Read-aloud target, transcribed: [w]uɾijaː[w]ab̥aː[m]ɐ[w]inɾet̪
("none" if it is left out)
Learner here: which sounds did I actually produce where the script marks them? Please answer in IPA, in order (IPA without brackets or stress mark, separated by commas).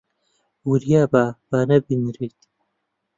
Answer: w, b, n, b